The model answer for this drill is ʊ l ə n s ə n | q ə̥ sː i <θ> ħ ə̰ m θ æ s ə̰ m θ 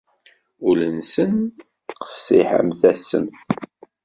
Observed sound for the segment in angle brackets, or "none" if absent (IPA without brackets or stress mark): none